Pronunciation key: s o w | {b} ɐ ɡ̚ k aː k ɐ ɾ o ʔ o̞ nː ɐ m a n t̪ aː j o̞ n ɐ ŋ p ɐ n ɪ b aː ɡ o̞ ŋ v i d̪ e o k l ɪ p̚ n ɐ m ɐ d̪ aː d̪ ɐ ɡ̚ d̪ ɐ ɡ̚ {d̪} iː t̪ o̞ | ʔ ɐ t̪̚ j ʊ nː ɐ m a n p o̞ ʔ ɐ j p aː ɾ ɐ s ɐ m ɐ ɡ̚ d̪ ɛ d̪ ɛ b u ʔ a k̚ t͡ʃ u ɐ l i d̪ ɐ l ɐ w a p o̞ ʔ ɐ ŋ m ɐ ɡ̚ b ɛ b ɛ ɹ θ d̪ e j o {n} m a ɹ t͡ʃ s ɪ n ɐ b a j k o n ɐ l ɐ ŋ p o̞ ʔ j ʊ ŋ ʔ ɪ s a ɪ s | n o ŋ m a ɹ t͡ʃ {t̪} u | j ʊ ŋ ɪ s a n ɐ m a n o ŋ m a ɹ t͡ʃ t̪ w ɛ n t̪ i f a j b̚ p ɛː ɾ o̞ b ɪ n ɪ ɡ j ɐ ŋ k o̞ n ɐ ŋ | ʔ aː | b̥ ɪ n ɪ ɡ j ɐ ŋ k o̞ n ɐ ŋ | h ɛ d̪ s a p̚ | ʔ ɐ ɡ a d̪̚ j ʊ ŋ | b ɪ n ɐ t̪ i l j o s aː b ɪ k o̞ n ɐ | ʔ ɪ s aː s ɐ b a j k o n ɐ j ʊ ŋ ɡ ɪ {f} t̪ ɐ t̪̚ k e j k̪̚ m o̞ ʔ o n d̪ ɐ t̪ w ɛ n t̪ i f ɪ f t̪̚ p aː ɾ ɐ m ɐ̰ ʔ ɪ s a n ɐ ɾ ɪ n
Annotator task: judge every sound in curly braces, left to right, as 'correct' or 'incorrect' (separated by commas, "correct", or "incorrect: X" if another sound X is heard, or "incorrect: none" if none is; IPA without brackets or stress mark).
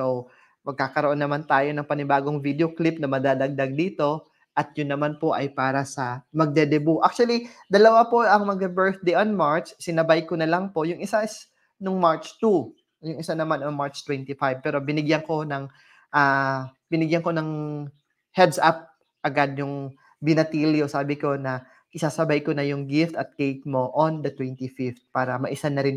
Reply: incorrect: m, correct, correct, correct, correct